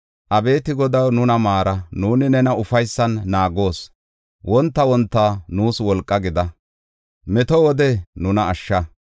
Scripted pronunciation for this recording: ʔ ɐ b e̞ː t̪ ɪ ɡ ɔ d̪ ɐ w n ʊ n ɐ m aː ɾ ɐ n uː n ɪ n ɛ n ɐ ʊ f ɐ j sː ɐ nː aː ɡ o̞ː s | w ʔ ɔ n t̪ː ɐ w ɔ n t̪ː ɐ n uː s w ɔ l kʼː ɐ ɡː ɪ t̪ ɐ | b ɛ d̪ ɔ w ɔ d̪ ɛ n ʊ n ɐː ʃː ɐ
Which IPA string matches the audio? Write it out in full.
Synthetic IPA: ʔ ɐ b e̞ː t̪ ɪ ɡ ɔ d̪ ɐ w n ʊ n ɐ m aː ɾ ɐ n uː n ɪ n ɛ n ɐ ʊ f ɐ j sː ɐ nː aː ɡ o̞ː s | w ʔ ɔ n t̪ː ɐ w ɔ n t̪ː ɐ n uː s w ɔ l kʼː ɐ ɡ ɪ d̪ ɐ | m ɛ t̪ ɔ w ɔ d̪ ɛ n ʊ n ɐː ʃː ɐ